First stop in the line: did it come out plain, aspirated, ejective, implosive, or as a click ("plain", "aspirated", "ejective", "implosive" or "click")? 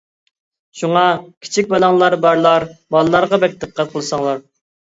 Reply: aspirated